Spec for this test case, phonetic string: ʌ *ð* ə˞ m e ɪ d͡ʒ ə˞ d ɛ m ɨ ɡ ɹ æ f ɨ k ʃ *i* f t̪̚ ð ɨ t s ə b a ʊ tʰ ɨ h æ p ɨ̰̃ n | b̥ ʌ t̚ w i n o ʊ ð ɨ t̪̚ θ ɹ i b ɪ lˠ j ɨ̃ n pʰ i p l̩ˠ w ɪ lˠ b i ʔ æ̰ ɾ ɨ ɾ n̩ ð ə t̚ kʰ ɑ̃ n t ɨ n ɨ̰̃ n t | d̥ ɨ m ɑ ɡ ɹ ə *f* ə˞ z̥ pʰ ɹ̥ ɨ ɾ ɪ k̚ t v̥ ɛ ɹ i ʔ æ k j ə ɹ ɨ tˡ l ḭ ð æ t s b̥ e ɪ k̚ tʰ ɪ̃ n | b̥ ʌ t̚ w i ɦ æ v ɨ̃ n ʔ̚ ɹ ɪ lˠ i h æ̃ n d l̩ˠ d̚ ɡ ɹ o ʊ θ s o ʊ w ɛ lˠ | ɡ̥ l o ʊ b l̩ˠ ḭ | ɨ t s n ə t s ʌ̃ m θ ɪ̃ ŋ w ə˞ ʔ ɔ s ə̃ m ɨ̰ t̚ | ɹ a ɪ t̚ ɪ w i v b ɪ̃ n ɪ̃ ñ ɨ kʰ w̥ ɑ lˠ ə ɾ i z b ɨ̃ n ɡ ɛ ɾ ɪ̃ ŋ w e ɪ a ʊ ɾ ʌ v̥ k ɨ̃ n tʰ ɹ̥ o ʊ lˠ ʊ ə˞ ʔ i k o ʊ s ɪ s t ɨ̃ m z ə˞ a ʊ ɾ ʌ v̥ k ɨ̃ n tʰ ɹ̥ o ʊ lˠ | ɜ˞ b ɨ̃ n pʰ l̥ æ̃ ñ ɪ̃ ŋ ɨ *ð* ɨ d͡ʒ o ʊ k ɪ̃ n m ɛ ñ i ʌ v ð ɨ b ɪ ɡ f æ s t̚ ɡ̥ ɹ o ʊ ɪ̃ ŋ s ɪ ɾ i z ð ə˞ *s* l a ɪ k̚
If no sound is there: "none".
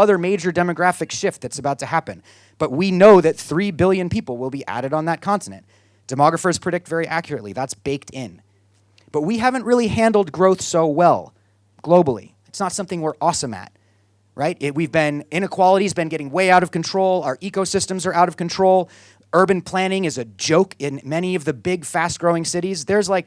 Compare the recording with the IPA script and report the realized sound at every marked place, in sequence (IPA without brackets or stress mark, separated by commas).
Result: ð, ɪ, f, z, z